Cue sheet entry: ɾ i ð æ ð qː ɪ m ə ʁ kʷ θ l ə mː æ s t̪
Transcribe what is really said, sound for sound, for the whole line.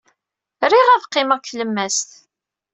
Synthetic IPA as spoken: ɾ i ʁ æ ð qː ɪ m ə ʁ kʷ θ l ə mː æ s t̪